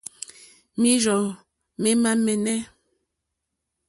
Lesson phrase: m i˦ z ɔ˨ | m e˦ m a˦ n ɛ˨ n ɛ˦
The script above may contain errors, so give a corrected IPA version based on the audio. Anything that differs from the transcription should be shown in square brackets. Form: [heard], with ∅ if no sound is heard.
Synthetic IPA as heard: m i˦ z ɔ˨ | m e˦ m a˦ [m] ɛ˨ n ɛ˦